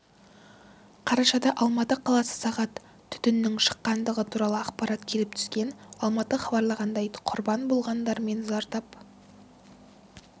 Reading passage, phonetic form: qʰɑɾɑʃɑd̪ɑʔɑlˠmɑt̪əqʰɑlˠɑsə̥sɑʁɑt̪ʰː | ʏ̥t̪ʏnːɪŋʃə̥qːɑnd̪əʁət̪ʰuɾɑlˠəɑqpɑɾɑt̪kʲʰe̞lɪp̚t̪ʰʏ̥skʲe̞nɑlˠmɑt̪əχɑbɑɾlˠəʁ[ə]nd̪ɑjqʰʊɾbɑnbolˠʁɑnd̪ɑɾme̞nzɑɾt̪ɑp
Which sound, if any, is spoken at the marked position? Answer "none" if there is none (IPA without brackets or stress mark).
ɑ